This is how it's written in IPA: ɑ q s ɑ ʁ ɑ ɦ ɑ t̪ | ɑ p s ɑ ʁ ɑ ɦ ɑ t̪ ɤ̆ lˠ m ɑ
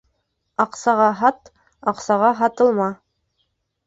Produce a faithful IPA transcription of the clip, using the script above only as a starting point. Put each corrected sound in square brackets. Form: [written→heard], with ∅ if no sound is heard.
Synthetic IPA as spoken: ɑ q s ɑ ʁ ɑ ɦ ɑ t̪ | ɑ [p→q] s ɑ ʁ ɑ ɦ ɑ t̪ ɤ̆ lˠ m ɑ